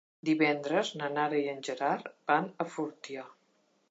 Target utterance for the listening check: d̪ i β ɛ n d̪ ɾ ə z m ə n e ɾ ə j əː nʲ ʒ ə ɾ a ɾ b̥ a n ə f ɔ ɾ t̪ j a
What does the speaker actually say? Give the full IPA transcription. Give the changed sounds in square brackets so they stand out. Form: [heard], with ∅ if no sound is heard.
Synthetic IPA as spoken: d̪ i β ɛ n d̪ ɾ ə z [n] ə n [a] ɾ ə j [ə] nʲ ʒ ə ɾ a ɾ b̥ a n ə f [u] ɾ t̪ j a